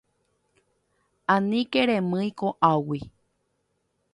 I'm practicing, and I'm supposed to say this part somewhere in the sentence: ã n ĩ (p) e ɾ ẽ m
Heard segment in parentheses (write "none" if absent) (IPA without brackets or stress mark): k